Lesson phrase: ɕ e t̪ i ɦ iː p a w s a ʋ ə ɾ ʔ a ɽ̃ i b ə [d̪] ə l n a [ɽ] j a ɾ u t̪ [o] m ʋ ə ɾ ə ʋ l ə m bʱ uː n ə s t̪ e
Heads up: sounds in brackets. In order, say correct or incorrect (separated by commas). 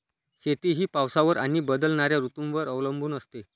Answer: correct, incorrect, incorrect